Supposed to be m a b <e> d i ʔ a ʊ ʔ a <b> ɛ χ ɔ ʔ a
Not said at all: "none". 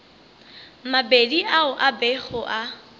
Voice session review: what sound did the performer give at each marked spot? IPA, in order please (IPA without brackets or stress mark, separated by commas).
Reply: e, b